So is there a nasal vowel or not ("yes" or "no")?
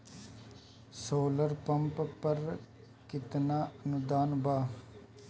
no